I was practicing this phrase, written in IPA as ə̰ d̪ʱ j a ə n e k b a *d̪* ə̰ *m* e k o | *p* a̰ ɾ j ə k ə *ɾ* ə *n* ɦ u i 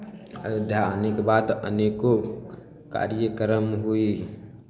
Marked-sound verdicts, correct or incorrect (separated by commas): incorrect, incorrect, incorrect, correct, incorrect